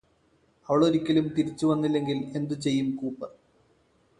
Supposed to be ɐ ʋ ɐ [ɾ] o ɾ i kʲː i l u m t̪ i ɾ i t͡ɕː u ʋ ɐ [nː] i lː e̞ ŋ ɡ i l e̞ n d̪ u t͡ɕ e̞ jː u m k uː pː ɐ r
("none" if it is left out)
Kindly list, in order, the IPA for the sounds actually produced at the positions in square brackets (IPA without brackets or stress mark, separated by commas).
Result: ɭ, nː